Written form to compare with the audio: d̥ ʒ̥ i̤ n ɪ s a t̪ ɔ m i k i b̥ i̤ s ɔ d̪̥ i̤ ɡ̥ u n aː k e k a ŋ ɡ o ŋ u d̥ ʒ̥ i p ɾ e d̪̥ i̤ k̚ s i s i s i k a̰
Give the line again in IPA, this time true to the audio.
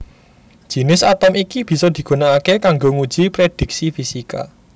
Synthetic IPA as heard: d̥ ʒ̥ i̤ n ɪ s a t̪ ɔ m i k i b̥ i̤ s ɔ d̪̥ i̤ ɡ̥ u n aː k e k a ŋ ɡ o ŋ u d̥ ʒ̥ i p ɾ e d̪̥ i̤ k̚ s i f i s i k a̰

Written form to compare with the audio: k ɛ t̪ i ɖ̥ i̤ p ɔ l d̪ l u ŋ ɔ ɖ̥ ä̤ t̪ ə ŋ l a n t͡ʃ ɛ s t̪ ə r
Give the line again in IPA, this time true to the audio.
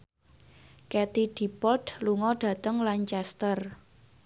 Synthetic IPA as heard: k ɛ t̪ i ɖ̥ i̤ p ɔ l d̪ l u ŋ ɔ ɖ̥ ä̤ t̪ ə ŋ l a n t͡ʃ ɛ s t̪ ə r

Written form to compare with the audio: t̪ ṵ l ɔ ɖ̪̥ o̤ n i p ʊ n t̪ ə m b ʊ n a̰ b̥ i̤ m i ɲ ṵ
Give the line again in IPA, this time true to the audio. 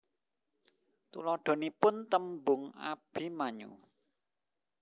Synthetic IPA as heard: t̪ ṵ l ɔ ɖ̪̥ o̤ n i p ʊ n t̪ ə m b ʊ ŋ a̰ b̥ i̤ m a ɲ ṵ

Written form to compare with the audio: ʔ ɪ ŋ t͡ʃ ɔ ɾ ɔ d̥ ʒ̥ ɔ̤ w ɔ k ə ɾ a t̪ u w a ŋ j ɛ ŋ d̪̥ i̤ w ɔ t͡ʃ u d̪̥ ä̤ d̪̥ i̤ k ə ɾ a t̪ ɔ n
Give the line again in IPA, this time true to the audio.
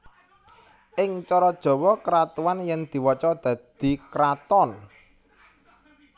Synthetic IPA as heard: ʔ ɪ ŋ t͡ʃ ɔ ɾ ɔ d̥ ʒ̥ ɔ̤ w ɔ k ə ɾ a t̪ u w a n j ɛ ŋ d̪̥ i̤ w ɔ t͡ʃ ɔ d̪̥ ä̤ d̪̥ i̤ k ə ɾ a t̪ ɔ n

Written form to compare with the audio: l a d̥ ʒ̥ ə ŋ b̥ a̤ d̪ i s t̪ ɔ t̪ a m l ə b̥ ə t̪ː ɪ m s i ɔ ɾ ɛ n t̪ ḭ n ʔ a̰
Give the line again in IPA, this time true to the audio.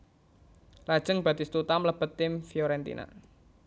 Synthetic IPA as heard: l a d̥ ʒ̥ ə ŋ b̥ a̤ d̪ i s t̪ u t̪ a m l ə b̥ ə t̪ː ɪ m f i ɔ ɾ ɛ n t̪ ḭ n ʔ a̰

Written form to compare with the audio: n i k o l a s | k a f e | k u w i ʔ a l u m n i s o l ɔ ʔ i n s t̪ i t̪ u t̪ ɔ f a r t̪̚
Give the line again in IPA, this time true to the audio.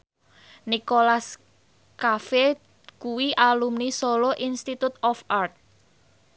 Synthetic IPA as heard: n i k o l a s | k a f e | k u w i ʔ a l u m n i s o l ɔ ʔ i n s t̪ i t̪ u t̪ ɔ f a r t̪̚

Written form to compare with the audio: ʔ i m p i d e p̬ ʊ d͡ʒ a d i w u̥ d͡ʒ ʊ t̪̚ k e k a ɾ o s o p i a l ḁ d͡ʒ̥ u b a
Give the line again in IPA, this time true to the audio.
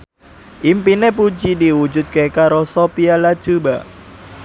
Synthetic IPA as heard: ʔ i m p i n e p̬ u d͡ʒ i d i w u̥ d͡ʒ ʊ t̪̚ k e k a ɾ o s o p i a l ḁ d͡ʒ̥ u b a

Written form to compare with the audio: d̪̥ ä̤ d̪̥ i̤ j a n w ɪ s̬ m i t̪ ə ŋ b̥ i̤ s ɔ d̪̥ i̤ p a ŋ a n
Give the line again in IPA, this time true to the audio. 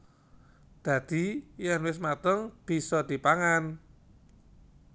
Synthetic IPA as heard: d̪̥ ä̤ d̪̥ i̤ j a n w ɪ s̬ m a t̪ ə ŋ b̥ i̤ s ɔ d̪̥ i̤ p a ŋ a n

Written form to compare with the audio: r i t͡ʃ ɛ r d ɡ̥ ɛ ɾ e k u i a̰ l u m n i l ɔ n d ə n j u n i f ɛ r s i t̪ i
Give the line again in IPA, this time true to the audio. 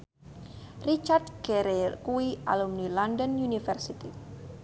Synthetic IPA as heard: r i t͡ʃ a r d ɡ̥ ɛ ɾ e k u i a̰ l u m n i l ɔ n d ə n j u n i f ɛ r s i t̪ i

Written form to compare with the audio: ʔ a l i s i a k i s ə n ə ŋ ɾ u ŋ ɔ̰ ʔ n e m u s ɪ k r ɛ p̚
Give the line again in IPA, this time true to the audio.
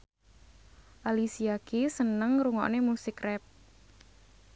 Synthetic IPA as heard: ʔ a l i s i a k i s ə n ə ŋ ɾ u ŋ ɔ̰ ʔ n e m u s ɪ k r ɛ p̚

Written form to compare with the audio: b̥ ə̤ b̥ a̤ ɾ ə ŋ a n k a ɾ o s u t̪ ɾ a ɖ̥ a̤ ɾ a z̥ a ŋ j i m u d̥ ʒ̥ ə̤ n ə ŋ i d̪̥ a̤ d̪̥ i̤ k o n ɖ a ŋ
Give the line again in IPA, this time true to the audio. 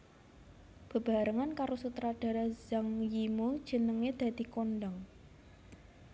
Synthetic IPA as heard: b̥ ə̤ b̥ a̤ ɾ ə ŋ a n k a ɾ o s u t̪ ɾ a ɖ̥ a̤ ɾ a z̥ a ŋ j i m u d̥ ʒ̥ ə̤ n ə ŋ e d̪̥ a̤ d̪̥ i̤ k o n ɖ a ŋ

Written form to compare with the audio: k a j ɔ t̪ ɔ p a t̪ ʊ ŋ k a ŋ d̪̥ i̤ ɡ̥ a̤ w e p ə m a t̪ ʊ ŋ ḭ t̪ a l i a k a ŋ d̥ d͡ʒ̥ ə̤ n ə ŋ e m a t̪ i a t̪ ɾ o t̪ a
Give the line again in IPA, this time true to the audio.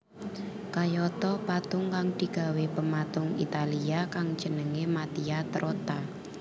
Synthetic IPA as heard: k a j ɔ t̪ ɔ p a t̪ ʊ ŋ k a ŋ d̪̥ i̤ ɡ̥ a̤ w e p ə m a t̪ ʊ ŋ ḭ t̪ a l i a k a ŋ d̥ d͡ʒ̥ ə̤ n ə ŋ e m a t̪ i a t̪ ɾ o t̪ a

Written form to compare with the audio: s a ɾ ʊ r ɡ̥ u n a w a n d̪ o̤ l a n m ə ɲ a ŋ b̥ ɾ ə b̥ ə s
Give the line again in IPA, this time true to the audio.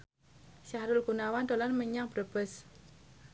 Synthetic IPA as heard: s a ɾ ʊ l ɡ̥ u n a w a n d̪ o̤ l a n m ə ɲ a ŋ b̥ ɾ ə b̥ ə s

